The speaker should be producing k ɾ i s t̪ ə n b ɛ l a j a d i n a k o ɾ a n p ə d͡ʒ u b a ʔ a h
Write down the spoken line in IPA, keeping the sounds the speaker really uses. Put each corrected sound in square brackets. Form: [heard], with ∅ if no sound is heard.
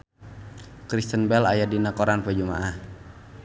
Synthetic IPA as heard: k ɾ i s t̪ ə n b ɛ l a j a d i n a k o ɾ a n p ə d͡ʒ u [m] a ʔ a h